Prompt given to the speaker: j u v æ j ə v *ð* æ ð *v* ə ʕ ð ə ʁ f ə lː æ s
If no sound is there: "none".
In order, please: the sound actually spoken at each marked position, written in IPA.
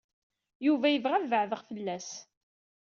ʁ, v

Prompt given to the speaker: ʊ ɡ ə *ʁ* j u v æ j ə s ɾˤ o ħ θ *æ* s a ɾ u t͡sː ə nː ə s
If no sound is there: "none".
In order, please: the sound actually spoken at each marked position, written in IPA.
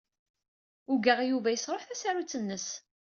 ʁ, æ

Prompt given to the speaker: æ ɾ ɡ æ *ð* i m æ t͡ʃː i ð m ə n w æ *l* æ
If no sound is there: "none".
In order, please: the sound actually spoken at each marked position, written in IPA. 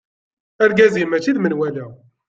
z, l

